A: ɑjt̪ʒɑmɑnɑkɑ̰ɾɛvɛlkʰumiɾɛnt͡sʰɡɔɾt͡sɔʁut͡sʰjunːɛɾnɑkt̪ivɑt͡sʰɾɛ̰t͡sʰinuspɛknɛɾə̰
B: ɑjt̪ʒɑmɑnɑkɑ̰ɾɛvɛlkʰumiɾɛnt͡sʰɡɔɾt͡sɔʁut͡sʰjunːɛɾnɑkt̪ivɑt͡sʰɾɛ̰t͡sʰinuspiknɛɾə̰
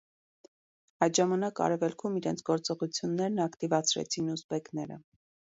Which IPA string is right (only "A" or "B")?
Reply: A